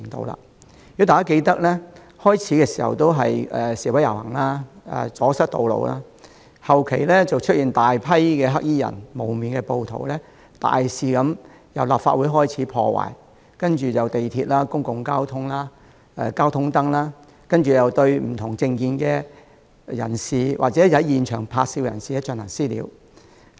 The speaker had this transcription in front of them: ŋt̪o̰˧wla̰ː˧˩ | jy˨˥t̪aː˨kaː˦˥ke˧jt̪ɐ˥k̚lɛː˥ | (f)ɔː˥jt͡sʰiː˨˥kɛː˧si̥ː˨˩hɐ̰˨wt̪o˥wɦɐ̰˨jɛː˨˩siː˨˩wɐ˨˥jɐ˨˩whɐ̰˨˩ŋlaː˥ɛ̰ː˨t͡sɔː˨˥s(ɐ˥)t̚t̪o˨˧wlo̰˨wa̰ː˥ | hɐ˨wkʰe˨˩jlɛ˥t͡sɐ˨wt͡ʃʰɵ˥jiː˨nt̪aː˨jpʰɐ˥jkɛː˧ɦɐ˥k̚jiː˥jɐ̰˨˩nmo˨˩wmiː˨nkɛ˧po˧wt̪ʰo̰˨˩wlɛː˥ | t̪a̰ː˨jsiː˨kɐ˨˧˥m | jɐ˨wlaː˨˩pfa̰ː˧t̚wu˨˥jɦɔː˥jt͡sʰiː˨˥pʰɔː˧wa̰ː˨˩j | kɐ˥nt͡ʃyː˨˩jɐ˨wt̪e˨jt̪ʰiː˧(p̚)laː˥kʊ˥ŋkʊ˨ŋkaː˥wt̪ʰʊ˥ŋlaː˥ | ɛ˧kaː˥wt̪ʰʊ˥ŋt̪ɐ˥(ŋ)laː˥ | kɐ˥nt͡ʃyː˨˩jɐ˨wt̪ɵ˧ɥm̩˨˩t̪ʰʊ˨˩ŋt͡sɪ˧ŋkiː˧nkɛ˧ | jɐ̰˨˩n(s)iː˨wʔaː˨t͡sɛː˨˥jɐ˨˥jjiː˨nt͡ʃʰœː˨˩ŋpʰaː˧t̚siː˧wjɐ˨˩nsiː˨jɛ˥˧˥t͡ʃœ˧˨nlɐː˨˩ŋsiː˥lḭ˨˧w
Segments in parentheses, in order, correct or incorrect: incorrect: h, correct, incorrect: t̚, correct, correct

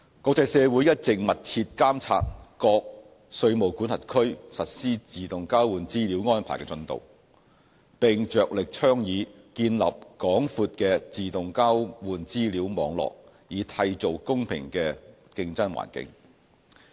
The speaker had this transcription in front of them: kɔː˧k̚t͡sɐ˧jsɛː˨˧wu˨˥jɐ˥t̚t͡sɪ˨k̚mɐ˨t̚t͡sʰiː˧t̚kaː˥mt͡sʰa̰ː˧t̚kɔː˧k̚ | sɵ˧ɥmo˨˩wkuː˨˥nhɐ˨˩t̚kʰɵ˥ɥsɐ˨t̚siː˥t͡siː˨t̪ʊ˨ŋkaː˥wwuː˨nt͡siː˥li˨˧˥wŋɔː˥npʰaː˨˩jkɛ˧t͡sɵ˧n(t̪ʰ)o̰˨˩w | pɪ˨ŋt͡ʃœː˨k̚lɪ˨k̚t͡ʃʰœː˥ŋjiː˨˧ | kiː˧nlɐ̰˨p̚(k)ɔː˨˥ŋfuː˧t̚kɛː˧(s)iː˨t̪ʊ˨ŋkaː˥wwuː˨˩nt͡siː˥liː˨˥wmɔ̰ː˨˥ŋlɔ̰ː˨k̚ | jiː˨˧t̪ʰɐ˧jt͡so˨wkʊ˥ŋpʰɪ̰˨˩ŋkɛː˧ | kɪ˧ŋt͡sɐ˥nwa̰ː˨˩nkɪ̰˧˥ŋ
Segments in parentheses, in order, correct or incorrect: incorrect: t̪, correct, incorrect: t͡s

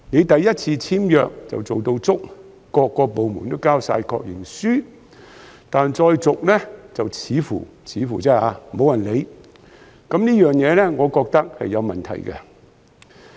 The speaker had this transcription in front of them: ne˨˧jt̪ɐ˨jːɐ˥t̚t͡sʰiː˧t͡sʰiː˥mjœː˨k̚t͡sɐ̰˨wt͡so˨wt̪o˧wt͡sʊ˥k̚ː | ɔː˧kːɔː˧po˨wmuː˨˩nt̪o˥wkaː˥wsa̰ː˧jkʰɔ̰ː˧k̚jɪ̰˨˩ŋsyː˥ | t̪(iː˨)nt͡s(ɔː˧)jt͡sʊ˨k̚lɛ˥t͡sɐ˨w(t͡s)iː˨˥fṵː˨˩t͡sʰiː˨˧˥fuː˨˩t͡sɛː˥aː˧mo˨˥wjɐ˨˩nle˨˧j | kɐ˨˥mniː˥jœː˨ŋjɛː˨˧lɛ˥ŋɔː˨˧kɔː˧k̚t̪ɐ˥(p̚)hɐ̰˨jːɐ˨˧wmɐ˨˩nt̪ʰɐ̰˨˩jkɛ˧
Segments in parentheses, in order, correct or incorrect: incorrect: aː˨, correct, incorrect: t͡sʰ, incorrect: k̚

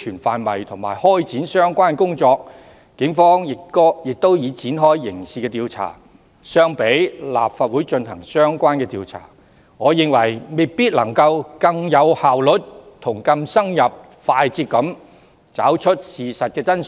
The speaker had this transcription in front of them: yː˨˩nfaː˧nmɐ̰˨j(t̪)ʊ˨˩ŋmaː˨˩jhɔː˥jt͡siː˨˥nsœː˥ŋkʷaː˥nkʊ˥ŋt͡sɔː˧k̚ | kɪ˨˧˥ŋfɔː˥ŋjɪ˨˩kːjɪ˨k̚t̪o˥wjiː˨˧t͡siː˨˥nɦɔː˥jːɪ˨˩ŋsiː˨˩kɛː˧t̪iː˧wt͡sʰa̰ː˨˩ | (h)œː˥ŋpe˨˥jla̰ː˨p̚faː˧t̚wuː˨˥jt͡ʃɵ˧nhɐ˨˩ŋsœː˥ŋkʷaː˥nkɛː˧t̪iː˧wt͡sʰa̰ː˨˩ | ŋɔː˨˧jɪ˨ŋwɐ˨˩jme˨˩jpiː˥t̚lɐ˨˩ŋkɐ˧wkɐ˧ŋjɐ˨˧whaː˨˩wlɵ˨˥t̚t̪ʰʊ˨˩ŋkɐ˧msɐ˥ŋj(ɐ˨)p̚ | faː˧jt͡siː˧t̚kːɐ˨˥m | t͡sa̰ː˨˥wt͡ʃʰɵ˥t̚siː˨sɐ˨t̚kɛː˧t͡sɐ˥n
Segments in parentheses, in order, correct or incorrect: incorrect: t̪ʰ, incorrect: s, correct

